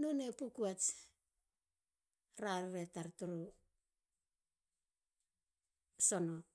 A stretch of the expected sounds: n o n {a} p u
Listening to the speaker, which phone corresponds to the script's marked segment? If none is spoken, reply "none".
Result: e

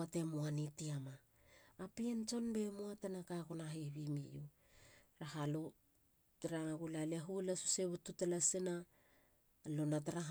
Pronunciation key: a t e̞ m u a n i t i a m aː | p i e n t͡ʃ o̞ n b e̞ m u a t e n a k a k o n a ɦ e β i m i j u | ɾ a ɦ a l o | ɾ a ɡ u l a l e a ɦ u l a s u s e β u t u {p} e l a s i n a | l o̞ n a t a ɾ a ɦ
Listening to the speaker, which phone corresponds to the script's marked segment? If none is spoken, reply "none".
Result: t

